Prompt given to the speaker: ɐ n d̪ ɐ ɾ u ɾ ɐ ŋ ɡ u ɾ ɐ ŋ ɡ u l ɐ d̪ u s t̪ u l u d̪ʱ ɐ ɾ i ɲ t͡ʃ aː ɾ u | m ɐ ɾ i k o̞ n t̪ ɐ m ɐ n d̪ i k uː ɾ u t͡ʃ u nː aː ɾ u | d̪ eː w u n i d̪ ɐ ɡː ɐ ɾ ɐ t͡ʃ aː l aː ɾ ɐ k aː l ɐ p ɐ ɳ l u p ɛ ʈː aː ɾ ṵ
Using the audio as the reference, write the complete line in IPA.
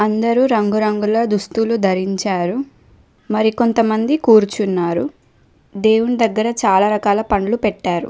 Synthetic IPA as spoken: ɐ n d̪ ɐ ɾ u ɾ ɐ ŋ ɡ u ɾ ɐ ŋ ɡ u l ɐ d̪ u s t̪ u l u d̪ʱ ɐ ɾ i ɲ t͡ʃ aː ɾ u | m ɐ ɾ i k o̞ n t̪ ɐ m ɐ n d̪ i k uː ɾ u t͡ʃ u nː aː ɾ u | d̪ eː w u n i d̪ ɐ ɡː ɐ ɾ ɐ t͡ʃ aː l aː ɾ ɐ k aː l ɐ p ɐ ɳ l u p ɛ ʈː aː ɾ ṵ